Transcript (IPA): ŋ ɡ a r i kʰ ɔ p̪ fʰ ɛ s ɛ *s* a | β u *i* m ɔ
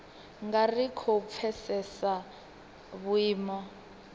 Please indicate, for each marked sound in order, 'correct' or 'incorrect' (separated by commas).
correct, incorrect